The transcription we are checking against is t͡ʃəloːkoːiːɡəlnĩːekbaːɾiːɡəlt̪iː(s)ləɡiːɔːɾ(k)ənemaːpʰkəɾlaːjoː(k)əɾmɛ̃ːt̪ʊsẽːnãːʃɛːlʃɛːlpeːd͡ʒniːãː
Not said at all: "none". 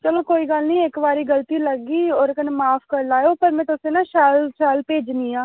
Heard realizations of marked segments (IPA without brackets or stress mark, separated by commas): none, k, p